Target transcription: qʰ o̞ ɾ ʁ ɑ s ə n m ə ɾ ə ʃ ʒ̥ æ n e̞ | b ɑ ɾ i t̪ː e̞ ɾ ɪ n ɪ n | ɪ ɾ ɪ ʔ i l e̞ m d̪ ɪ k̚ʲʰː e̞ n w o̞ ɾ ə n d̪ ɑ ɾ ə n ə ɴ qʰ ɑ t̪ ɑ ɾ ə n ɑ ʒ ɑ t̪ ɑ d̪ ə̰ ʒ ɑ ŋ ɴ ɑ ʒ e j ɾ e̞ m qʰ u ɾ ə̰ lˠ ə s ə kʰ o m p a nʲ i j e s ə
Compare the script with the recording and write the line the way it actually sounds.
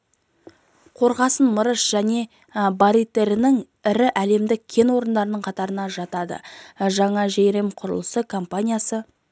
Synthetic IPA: qʰ o̞ ɾ ʁ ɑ s ə n m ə ɾ ə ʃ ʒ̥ æ n e̞ | b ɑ ɾ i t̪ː e̞ ɾ ɪ n ɪ ŋ | ɪ ɾ ɪ ʔ æ l e̞ m d̪ ɪ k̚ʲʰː e̞ n w o̞ ɾ ə n d̪ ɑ ɾ ə n ə ɴ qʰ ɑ t̪ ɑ ɾ ə n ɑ ʒ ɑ t̪ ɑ d̪ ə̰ ʒ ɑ ɴ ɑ ʒ e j ɾ e̞ m qʰ ʊ ɾ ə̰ lˠ ə s ə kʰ o m p a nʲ i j a s ə